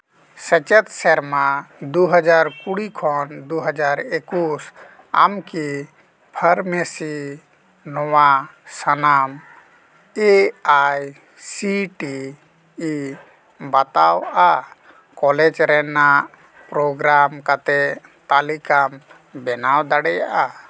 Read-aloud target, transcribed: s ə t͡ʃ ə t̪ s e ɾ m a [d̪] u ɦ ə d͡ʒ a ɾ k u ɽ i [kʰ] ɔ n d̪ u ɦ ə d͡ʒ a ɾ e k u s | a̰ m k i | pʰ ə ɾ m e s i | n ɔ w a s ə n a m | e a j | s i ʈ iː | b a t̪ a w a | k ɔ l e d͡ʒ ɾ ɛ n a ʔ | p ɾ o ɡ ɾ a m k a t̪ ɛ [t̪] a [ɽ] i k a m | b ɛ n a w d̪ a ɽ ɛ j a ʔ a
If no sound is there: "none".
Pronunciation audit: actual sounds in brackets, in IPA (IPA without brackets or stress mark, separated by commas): d̪, kʰ, t̪, l